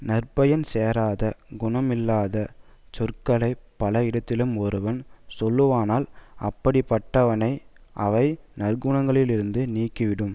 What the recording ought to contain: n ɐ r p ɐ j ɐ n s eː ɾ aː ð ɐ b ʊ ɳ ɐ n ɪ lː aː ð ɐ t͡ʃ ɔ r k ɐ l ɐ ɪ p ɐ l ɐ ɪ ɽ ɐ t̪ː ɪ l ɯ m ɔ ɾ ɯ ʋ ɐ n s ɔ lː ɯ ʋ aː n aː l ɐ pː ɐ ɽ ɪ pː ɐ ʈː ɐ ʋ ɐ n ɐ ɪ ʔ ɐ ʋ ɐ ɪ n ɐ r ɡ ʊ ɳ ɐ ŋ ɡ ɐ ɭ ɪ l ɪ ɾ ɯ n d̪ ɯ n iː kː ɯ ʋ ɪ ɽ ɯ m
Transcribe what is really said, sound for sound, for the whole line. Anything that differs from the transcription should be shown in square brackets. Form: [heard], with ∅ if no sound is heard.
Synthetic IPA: n ɐ r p ɐ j ɐ n s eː ɾ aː ð ɐ [ɡ] ʊ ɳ ɐ [m] ɪ lː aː ð ɐ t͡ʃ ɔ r k ɐ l ɐ ɪ p ɐ l ɐ ɪ ɽ ɐ t̪ː ɪ l ɯ m ɔ ɾ ɯ ʋ ɐ n s ɔ lː ɯ ʋ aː n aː l ɐ pː ɐ ɽ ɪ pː ɐ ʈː ɐ ʋ ɐ n ɐ ɪ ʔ ɐ ʋ ɐ ɪ n ɐ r ɡ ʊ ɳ ɐ ŋ ɡ ɐ ɭ ɪ l ɪ ɾ ɯ n d̪ ɯ n iː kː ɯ ʋ ɪ ɽ ɯ m